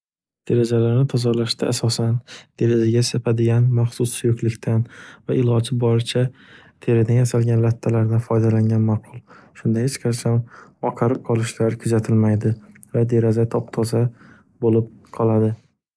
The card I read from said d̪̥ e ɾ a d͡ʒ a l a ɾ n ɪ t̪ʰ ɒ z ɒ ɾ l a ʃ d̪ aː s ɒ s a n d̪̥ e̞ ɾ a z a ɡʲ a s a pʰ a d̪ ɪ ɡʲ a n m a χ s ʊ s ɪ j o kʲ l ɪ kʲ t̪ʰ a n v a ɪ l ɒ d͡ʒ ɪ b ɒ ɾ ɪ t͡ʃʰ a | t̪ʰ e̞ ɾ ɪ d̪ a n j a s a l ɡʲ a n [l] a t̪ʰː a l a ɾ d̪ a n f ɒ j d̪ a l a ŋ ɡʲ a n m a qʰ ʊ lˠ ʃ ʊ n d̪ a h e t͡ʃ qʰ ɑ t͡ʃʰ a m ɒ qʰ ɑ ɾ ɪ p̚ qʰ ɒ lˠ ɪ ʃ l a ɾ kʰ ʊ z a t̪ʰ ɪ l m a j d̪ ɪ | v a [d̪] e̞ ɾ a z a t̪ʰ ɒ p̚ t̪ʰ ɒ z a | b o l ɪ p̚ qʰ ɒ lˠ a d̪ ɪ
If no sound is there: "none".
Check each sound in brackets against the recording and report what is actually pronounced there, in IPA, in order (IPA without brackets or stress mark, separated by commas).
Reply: l, d̪